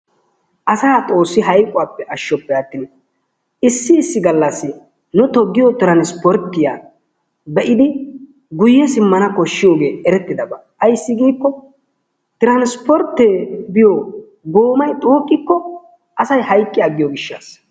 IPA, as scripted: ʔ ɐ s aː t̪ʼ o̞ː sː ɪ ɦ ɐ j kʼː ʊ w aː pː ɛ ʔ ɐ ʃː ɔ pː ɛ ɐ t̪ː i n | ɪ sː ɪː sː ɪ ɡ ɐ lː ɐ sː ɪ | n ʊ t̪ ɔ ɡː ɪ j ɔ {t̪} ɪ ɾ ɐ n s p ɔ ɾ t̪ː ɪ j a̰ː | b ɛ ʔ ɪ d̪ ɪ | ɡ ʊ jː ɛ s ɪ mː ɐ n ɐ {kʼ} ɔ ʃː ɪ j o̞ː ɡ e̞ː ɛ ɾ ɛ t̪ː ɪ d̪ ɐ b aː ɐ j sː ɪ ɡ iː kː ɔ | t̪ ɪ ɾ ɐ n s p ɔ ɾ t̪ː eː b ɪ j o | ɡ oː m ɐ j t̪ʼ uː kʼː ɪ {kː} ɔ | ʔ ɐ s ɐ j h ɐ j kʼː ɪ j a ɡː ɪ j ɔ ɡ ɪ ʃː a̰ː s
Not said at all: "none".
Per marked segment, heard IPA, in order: t̪, k, kː

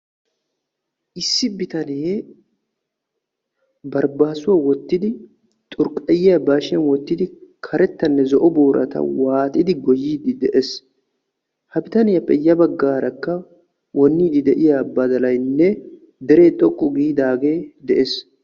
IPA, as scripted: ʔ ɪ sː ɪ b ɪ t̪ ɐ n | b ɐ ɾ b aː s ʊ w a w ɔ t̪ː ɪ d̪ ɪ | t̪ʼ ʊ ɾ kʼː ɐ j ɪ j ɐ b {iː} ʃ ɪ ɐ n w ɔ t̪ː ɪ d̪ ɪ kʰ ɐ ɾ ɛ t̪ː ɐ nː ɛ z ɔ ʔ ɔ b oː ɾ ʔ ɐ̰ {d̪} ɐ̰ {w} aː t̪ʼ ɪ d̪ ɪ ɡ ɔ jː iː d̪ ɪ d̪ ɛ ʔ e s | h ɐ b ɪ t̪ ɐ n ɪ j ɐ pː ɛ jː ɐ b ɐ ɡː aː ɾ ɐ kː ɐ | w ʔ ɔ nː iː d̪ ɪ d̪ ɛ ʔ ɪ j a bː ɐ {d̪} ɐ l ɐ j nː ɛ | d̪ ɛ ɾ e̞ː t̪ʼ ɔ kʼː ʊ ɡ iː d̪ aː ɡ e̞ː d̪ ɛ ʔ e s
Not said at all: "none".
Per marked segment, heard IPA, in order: aː, t̪, w, d̪

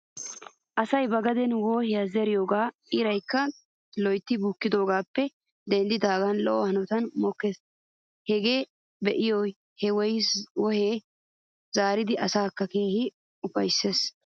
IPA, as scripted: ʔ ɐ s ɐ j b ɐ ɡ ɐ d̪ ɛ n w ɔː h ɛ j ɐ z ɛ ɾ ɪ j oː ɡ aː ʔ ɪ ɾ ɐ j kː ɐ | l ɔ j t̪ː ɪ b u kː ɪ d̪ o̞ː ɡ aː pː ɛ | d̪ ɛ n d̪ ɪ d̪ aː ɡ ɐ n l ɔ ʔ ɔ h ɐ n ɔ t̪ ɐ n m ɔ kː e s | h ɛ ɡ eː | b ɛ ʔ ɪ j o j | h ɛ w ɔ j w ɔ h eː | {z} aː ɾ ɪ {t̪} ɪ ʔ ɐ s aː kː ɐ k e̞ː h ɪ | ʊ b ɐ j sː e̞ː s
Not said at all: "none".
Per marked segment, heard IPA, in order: z, d̪

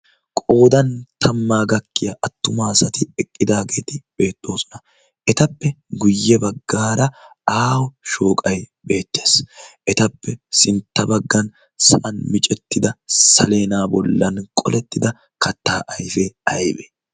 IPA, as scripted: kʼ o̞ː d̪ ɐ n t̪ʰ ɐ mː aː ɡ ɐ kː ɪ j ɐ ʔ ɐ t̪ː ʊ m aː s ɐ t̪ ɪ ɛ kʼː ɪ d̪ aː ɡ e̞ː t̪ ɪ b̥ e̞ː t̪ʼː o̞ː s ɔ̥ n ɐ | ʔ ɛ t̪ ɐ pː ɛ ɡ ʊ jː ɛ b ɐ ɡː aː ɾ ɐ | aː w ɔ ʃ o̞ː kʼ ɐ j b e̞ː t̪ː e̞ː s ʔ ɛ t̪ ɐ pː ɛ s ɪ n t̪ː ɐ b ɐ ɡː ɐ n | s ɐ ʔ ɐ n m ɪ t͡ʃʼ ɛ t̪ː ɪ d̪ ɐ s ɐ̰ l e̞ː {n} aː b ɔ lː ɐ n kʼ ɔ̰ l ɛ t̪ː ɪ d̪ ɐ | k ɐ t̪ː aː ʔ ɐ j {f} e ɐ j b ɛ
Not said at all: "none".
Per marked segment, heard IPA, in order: n, f

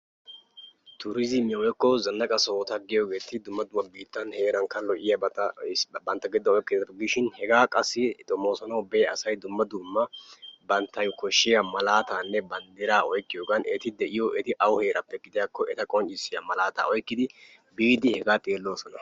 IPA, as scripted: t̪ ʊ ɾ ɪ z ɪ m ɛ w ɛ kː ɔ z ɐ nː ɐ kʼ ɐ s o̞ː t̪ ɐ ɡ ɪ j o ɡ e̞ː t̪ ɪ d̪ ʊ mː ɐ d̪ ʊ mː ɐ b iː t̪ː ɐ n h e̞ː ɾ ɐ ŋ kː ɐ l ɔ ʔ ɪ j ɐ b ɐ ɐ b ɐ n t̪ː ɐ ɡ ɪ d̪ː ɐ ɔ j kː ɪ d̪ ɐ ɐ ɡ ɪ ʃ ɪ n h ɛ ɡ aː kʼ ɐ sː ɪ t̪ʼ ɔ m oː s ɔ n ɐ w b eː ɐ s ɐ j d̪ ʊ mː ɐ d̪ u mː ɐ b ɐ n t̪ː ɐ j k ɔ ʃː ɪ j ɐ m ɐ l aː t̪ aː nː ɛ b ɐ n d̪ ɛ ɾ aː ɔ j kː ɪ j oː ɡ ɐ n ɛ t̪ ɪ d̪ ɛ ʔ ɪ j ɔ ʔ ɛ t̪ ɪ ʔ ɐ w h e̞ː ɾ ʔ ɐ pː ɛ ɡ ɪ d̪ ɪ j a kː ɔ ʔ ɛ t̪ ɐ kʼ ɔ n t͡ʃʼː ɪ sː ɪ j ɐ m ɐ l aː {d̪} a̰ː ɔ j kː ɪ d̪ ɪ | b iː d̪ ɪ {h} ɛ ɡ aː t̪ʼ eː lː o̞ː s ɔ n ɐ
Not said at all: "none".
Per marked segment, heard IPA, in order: t̪, h

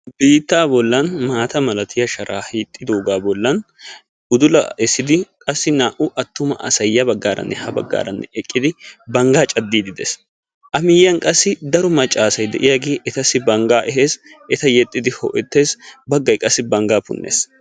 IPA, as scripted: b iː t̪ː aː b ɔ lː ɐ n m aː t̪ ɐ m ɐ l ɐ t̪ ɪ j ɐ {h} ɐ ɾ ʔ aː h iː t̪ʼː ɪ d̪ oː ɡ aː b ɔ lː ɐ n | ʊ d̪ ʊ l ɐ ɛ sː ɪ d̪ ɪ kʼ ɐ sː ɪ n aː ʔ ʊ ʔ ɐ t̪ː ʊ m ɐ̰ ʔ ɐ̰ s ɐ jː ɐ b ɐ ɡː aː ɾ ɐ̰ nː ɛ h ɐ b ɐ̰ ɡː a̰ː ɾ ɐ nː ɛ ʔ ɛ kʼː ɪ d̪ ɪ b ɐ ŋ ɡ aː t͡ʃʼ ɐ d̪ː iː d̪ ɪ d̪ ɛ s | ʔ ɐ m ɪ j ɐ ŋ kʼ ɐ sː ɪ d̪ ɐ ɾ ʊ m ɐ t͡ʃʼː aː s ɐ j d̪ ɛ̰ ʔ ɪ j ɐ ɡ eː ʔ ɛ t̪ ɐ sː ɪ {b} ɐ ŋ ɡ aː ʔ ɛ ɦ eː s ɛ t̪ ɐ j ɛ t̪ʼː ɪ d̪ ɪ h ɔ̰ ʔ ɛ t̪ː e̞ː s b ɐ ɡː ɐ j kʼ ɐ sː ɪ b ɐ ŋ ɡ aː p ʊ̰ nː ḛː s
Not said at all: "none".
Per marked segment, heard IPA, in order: ʃ, b

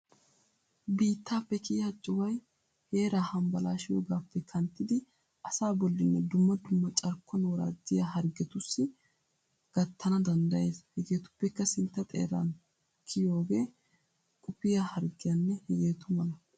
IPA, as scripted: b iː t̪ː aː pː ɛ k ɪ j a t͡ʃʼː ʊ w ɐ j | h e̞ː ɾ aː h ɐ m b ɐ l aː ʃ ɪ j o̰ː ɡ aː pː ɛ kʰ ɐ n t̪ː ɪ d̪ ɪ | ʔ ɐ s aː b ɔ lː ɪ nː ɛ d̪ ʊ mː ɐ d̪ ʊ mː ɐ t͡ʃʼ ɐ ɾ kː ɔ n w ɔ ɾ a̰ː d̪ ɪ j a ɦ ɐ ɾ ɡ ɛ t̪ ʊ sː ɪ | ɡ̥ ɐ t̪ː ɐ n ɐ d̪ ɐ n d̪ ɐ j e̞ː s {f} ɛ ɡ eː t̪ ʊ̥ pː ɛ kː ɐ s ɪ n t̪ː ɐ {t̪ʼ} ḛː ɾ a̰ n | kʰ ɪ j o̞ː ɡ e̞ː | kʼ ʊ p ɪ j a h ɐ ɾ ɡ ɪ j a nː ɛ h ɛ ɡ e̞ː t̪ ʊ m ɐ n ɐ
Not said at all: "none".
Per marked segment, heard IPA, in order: h, t̪ʼ

